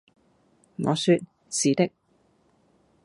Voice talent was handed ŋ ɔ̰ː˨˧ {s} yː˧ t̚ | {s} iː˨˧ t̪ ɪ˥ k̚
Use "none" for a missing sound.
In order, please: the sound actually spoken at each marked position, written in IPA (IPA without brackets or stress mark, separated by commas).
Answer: s, s